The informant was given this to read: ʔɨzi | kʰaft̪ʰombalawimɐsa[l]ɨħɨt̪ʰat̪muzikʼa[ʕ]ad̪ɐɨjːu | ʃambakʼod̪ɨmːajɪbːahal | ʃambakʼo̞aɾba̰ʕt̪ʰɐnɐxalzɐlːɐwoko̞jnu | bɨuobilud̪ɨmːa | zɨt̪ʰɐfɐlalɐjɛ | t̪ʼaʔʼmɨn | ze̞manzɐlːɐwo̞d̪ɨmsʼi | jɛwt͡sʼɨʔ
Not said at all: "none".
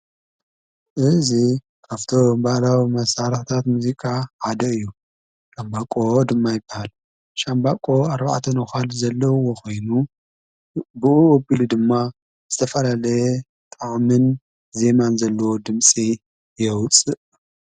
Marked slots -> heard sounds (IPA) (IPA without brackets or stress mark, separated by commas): ɾ, ʕ